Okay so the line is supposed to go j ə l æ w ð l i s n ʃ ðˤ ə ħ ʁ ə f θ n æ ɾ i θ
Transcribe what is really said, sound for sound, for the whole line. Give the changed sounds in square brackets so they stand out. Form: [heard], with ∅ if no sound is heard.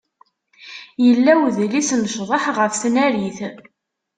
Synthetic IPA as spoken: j ə [lː] æ w ð l i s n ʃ ðˤ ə ħ ʁ ə f θ n æ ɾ i θ